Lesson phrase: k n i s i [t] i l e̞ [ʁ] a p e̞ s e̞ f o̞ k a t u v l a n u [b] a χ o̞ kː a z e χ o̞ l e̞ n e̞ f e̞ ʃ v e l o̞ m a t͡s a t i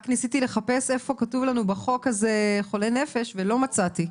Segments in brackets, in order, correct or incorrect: correct, incorrect: χ, correct

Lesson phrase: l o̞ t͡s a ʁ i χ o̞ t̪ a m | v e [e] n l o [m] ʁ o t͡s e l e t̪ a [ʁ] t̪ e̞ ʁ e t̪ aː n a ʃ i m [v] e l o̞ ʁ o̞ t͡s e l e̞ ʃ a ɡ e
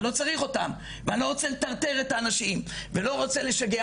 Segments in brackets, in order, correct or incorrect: incorrect: a, incorrect: none, correct, correct

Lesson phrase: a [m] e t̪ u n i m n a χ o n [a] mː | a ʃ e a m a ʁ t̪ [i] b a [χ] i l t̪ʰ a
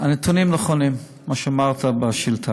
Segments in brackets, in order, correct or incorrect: incorrect: n, incorrect: i, incorrect: a, incorrect: ʃ

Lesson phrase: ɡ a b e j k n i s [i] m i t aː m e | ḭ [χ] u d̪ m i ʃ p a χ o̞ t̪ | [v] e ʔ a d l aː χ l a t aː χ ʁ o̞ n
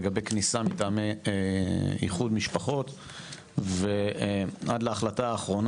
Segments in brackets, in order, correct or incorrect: incorrect: a, correct, correct

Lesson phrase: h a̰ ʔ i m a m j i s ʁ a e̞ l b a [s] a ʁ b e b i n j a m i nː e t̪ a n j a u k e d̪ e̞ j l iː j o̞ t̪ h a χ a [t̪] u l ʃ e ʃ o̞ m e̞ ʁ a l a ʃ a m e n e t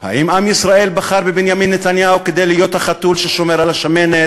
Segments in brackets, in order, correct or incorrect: incorrect: χ, correct

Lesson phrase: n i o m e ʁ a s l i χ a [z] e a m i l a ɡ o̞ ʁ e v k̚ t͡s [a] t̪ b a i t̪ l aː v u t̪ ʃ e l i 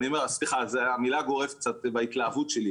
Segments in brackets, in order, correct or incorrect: correct, correct

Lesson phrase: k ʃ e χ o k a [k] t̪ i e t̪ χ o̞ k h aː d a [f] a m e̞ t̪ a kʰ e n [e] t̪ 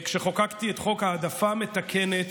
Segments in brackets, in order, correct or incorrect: correct, correct, correct

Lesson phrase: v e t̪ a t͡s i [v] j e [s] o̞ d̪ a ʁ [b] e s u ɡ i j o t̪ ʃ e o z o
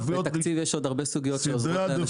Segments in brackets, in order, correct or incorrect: correct, incorrect: ʃ, correct

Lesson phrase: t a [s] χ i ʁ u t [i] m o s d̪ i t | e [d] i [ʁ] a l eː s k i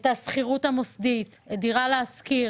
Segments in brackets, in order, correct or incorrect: correct, incorrect: a, correct, correct

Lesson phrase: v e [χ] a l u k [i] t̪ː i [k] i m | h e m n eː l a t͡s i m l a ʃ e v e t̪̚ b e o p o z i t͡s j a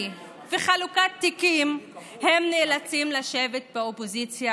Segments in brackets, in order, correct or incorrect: correct, incorrect: a, correct

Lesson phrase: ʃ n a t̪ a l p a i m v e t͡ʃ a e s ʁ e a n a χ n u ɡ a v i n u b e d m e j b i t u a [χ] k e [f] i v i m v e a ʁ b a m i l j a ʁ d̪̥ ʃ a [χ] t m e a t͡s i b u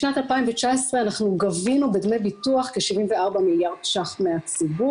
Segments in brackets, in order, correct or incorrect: correct, incorrect: ʃ, correct

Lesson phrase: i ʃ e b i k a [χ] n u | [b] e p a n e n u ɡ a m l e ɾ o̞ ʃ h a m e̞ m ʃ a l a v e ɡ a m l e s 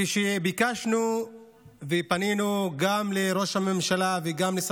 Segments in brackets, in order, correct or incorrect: incorrect: ʃ, incorrect: v

